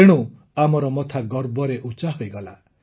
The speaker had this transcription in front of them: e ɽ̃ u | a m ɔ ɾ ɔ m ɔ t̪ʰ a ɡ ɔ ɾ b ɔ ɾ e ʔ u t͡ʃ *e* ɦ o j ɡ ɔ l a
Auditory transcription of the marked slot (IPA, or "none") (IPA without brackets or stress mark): a